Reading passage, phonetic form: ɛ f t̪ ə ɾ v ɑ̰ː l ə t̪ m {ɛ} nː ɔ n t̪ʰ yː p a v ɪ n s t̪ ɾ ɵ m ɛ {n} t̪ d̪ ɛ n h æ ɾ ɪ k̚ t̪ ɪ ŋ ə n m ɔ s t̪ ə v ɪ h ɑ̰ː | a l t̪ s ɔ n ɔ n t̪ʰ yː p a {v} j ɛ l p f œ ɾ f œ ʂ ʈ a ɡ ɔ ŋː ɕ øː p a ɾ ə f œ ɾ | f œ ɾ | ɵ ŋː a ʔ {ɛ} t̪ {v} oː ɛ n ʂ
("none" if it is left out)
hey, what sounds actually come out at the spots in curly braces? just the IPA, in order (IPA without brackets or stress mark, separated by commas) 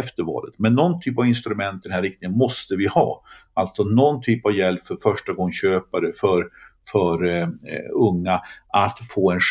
ɛ, n, v, a, f